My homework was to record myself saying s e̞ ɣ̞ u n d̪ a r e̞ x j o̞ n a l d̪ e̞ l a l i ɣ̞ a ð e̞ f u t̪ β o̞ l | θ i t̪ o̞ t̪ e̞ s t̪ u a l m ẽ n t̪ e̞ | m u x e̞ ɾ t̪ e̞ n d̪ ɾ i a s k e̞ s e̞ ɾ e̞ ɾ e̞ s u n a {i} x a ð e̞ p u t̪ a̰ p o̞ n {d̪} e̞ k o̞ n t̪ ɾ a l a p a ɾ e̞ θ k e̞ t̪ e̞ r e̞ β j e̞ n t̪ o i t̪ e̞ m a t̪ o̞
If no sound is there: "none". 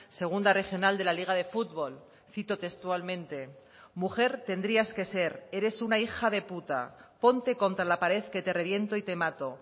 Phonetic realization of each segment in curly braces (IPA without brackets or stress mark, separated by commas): i, t̪